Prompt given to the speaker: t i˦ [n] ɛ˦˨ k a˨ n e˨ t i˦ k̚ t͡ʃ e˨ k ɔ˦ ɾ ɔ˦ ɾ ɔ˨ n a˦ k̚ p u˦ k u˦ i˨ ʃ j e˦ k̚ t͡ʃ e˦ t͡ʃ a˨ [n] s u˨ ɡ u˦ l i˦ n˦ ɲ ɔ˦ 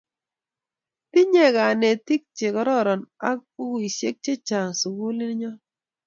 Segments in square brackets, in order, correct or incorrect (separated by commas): incorrect, incorrect